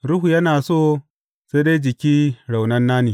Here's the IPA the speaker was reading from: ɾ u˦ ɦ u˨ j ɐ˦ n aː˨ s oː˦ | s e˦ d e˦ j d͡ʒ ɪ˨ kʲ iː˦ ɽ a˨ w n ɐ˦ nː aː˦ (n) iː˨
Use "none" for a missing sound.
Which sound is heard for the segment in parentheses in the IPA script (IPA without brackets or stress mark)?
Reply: n